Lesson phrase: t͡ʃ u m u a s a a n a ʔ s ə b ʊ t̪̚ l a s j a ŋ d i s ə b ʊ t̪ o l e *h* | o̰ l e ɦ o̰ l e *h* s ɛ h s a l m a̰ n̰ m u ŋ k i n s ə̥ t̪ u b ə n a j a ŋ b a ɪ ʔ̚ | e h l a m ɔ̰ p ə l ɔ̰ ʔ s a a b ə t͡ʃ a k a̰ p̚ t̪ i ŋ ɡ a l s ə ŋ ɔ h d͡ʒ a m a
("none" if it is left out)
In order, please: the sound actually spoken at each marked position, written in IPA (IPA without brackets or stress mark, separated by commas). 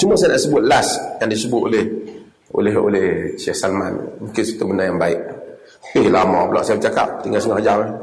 h, h